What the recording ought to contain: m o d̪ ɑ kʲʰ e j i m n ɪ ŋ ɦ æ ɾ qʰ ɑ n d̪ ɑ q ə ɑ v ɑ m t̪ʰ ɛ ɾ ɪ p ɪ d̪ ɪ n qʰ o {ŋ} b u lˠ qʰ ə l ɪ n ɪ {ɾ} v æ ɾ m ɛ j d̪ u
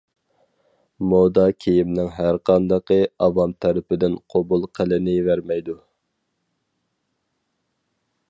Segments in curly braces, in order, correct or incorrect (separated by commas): incorrect, incorrect